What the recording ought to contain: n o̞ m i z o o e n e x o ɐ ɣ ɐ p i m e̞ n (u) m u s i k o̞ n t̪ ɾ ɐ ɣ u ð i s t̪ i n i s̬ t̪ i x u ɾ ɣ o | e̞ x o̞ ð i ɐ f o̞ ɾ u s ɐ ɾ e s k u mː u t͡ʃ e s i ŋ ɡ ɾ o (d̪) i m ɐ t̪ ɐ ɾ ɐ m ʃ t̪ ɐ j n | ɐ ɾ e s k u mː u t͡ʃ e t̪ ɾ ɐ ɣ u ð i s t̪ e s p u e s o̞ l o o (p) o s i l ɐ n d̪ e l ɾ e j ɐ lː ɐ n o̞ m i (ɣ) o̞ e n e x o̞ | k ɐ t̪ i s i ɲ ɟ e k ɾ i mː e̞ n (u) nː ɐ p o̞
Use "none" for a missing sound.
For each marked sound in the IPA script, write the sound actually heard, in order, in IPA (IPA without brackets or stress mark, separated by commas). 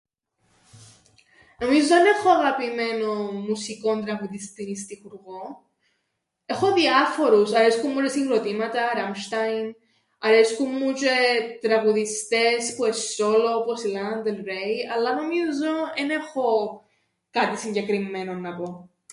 o, t̪, p, z, o